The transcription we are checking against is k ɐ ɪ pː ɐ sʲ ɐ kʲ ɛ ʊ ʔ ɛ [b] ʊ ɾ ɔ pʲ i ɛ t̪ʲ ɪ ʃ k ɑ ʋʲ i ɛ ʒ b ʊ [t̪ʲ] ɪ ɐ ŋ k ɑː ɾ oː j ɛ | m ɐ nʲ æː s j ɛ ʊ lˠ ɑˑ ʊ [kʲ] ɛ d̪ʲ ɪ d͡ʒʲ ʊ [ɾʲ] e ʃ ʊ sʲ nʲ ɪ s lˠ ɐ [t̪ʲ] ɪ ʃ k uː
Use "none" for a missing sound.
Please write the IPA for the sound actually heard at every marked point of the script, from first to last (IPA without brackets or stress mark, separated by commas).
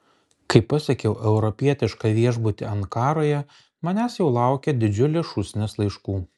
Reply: none, t̪ʲ, kʲ, lʲ, none